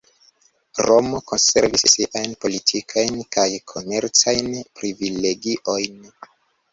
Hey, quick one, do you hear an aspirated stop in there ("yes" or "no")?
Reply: yes